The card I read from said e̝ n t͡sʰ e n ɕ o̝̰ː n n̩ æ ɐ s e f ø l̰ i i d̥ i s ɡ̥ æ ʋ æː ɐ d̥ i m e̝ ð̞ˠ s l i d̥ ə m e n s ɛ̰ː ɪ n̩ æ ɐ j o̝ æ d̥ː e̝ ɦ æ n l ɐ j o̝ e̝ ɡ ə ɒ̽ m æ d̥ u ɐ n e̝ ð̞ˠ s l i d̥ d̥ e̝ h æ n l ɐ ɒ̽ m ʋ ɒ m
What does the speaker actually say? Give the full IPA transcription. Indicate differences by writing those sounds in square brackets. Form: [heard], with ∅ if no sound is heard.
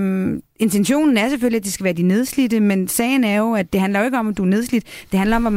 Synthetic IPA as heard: e̝ n t͡sʰ e n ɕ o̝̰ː n n̩ æ ɐ s e f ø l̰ i [æ] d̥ i s ɡ̥ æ ʋ æː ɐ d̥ i [n] e̝ ð̞ˠ s l i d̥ ə m e n s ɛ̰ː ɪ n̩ æ ɐ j o̝ æ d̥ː e̝ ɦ æ n l ɐ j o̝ e̝ ɡ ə ɒ̽ m æ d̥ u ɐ n e̝ ð̞ˠ s l i d̥ d̥ e̝ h æ n l ɐ ɒ̽ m ʋ ɒ m